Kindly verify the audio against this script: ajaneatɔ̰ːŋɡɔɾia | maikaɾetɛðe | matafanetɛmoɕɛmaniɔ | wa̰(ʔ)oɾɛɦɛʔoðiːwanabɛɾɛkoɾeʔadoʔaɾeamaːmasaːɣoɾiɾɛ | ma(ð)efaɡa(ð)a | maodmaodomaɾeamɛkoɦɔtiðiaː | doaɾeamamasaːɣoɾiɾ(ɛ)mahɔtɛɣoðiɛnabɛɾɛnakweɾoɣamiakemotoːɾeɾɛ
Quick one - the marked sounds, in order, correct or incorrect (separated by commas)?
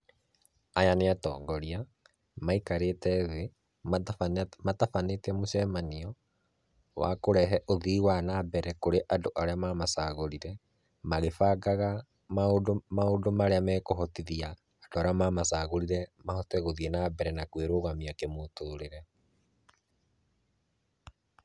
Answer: incorrect, incorrect, incorrect, correct